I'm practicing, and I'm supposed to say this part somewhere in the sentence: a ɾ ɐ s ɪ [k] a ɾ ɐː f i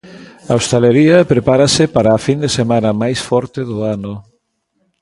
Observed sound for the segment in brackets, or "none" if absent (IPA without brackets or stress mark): p